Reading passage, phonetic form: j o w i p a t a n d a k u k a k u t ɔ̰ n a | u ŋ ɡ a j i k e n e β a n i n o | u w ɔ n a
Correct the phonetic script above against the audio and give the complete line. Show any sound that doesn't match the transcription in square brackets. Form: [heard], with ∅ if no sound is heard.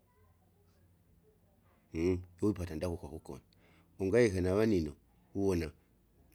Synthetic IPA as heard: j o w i p a t a n d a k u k a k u [k] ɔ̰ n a | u ŋ ɡ a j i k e n [a] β a n i n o | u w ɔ n a